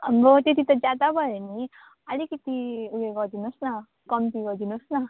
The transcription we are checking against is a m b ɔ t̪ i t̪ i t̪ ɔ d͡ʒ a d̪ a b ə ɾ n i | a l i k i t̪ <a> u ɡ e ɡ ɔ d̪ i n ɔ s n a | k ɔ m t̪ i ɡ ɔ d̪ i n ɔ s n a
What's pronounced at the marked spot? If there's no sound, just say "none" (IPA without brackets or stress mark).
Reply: i